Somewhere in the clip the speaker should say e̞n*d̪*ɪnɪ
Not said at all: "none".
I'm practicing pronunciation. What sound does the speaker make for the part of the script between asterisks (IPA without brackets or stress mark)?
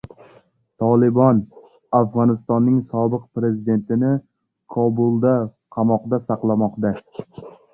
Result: t̪